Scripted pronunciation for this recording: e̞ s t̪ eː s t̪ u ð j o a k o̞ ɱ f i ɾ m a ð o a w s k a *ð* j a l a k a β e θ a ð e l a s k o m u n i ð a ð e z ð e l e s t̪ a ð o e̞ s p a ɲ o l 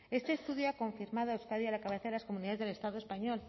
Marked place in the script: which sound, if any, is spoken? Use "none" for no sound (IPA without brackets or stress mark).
ð